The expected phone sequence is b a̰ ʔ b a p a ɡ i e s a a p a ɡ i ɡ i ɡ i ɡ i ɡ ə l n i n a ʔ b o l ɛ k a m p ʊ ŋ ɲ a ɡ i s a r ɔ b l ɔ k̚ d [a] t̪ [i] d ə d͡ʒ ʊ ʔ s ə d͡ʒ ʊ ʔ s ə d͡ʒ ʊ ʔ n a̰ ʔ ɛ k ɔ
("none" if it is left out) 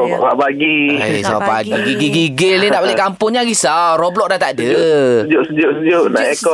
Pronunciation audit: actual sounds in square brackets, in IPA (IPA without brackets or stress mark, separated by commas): a, a